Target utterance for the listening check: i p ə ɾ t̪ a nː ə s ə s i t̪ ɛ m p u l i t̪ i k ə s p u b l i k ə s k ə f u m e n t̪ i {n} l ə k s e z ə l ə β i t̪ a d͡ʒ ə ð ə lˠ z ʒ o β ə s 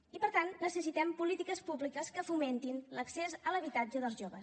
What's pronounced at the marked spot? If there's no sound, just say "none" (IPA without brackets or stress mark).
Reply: n